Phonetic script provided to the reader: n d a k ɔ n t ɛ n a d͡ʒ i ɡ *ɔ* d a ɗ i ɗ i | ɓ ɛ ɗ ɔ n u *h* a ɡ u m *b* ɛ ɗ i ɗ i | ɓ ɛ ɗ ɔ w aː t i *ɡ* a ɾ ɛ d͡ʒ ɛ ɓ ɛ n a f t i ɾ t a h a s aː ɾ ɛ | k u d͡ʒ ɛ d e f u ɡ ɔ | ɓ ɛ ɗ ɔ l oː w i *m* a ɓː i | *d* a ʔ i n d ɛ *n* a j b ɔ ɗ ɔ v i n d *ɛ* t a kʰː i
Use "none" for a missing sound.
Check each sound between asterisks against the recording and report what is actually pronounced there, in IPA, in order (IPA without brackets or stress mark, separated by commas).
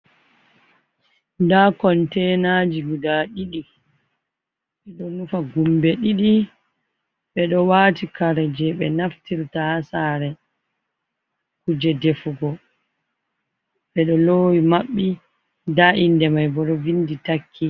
u, f, b, k, m, d, m, i